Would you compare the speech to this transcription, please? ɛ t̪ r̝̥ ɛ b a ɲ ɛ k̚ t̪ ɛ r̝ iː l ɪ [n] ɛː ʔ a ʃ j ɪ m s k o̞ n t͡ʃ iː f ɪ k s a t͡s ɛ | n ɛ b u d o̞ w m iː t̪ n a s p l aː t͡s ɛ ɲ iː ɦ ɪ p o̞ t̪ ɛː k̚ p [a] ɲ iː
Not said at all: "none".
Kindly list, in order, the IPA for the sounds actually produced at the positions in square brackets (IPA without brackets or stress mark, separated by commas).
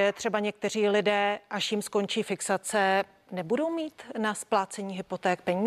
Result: d, ɛ